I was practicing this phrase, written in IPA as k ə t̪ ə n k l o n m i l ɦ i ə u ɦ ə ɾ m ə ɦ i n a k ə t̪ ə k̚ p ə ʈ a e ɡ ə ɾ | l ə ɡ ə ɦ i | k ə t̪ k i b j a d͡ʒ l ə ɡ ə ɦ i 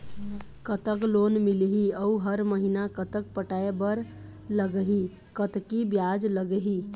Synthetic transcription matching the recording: k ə t̪ ə k l o n m i l ɦ i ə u ɦ ə ɾ m ə ɦ i n a k ə t̪ ə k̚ p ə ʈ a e b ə ɾ | l ə ɡ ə ɦ i | k ə t̪ k i b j a d͡ʒ l ə ɡ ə ɦ i